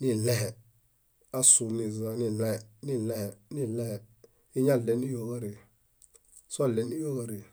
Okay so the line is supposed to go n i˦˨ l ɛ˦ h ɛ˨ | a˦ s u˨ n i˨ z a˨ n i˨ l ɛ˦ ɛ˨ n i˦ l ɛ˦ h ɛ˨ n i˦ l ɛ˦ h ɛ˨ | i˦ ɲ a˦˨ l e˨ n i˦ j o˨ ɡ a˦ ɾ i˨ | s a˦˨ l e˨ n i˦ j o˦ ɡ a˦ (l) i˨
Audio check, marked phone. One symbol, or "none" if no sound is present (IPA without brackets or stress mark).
ɾ